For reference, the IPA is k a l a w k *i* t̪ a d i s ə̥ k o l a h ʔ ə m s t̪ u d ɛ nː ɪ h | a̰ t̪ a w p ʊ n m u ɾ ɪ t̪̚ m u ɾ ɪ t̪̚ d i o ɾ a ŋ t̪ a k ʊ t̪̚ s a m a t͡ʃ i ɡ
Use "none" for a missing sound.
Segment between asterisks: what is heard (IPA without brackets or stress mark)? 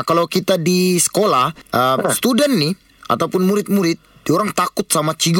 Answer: i